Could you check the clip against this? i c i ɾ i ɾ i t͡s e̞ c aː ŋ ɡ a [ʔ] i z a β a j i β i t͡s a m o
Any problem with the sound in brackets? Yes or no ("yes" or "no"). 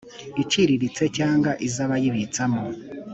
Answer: no